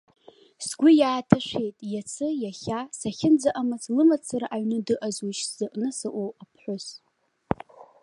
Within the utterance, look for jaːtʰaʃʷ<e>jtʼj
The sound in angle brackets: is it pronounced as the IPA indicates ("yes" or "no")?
yes